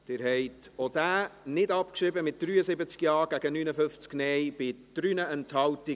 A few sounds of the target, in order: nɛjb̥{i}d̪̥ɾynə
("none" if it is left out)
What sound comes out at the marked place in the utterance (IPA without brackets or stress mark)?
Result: ɪ